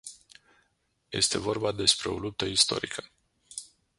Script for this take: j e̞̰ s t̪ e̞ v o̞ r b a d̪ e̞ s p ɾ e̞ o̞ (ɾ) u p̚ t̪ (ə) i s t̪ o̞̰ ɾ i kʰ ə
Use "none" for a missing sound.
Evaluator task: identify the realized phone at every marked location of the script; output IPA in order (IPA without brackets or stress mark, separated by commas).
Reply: l, ə